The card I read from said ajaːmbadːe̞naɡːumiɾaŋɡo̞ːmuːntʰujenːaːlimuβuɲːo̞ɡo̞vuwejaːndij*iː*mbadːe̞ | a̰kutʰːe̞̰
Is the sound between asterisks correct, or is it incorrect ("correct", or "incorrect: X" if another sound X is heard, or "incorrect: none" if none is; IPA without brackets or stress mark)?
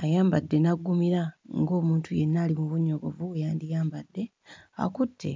incorrect: aː